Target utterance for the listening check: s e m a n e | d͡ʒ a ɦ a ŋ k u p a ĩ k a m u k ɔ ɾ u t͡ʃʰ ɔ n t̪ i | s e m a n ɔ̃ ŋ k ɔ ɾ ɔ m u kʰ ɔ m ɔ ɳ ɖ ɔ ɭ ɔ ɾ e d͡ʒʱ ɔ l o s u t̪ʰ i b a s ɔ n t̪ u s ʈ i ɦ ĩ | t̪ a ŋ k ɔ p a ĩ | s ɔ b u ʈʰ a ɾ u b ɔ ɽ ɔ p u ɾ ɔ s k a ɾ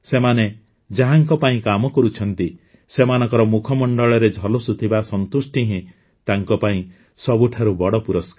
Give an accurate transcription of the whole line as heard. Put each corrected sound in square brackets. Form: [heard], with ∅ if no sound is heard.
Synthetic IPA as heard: s e m a n e | d͡ʒ a ɦ a ŋ k [ɔ] p a ĩ k a m [ɔ] k ɔ ɾ u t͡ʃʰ ɔ n t̪ i | s e m a n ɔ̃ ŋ k ɔ ɾ ɔ m u kʰ ɔ m ɔ ɳ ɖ ɔ ɭ ɔ ɾ e d͡ʒʱ ɔ l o s u t̪ʰ i b a s ɔ n t̪ u s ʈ i ɦ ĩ | t̪ a ŋ k ɔ p a ĩ | s ɔ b u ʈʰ a ɾ u b ɔ ɽ ɔ p u ɾ ɔ s k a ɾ